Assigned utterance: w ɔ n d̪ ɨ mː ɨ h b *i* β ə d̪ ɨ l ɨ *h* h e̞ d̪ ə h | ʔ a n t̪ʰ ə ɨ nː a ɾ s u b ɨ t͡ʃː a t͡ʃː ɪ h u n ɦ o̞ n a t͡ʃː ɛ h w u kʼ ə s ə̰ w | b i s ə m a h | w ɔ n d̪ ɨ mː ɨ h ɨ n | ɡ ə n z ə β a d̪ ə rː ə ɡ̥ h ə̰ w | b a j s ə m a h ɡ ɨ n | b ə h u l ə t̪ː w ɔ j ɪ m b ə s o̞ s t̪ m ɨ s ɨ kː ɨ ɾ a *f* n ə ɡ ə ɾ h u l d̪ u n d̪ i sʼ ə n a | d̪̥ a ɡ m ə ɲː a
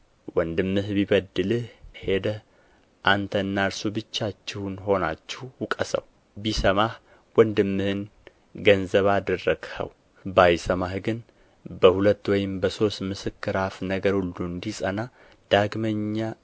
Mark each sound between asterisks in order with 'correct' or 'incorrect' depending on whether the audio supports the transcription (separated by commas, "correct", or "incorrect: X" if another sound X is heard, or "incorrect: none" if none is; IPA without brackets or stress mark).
correct, correct, correct